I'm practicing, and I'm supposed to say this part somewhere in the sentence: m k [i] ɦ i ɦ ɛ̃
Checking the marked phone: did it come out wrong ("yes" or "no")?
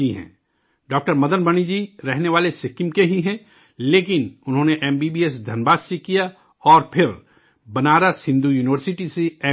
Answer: yes